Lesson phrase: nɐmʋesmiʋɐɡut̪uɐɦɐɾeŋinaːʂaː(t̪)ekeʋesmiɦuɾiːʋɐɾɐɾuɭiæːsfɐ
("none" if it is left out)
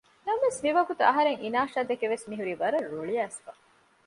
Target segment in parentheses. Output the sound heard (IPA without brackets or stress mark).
d̪